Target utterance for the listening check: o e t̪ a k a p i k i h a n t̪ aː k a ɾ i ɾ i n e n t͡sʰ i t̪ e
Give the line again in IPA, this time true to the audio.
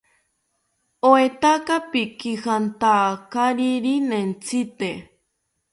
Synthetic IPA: o e t̪ a k a p i k i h a n t̪ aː k a ɾ i ɾ i n e n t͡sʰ i t̪ e